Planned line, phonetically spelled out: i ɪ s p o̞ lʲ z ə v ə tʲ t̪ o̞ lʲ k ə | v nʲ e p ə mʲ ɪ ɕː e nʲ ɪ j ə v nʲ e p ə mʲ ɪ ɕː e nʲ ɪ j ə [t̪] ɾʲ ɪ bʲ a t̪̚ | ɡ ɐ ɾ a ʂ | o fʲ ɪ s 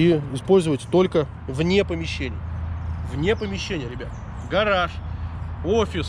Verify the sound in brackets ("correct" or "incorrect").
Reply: incorrect